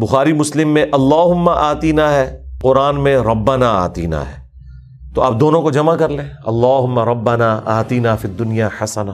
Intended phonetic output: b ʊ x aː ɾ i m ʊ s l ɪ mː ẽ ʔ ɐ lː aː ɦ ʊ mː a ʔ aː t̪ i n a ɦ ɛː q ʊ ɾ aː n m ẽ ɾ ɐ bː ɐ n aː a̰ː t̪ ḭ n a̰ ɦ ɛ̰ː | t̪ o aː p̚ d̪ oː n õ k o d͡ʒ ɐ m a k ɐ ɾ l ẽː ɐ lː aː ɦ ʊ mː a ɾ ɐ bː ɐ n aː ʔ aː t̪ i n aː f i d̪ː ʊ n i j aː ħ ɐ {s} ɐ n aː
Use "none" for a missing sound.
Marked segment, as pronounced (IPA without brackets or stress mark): s